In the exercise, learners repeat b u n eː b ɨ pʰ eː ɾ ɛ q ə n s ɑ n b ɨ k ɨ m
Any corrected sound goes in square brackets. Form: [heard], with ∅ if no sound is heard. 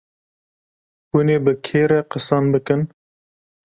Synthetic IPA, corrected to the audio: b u n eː b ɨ [kʰ] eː ɾ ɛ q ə [∅] s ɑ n b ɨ k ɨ [n]